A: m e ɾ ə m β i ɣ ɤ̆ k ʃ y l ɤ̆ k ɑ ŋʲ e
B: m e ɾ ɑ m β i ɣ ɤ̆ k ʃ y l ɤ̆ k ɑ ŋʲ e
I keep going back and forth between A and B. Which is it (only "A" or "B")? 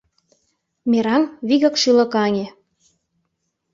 B